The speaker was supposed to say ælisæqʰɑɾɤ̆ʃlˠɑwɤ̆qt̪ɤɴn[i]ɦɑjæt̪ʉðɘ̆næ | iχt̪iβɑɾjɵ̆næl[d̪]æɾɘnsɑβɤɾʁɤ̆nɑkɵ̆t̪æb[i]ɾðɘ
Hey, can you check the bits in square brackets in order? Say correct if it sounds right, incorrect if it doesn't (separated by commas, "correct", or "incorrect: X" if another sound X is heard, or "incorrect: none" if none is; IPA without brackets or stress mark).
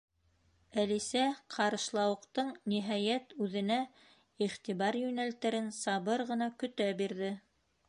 correct, incorrect: t̪, correct